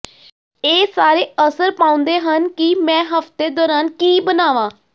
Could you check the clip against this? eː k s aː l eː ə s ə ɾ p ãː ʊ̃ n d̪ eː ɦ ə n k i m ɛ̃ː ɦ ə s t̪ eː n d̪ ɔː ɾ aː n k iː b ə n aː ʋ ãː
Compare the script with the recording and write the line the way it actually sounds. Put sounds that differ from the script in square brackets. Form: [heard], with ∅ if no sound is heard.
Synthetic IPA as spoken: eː [∅] s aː [ɾ] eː ə s ə ɾ p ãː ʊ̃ n d̪ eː ɦ ə n k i m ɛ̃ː ɦ ə [f] t̪ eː [∅] d̪ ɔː ɾ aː n k iː b ə n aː ʋ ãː